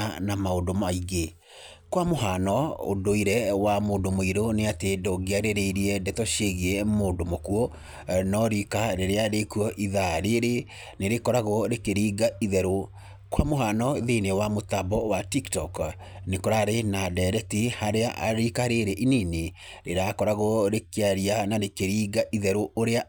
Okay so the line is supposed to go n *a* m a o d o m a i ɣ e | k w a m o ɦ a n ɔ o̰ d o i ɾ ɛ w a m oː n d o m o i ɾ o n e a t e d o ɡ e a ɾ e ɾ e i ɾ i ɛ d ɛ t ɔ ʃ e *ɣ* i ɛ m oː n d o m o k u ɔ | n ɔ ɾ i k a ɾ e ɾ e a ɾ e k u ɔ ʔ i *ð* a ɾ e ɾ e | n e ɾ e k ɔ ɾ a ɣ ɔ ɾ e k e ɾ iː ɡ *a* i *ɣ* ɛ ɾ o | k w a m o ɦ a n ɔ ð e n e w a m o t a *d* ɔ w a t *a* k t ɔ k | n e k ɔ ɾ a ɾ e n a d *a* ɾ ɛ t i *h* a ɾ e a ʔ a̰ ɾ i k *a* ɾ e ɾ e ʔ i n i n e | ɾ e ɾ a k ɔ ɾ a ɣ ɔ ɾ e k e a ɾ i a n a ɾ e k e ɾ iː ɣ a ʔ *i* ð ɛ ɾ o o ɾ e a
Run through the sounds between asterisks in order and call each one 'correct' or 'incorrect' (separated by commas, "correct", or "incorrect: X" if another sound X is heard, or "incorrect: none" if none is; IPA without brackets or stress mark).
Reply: correct, correct, correct, correct, incorrect: ð, incorrect: b, incorrect: i, incorrect: ɛ, correct, correct, correct